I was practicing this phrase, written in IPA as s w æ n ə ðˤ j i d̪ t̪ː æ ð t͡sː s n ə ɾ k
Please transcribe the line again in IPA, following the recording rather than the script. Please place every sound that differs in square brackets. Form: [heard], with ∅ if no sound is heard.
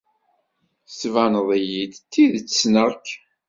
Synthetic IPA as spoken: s [v] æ n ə ðˤ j i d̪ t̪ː [i] ð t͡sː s n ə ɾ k